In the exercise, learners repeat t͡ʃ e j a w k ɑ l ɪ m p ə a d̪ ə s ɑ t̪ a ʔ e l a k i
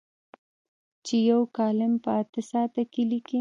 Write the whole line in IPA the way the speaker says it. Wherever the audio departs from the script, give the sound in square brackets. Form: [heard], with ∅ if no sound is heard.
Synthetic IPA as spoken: t͡ʃ e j a w k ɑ l ɪ m p ə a [t̪] ə s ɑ t̪ a [k] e l [i] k i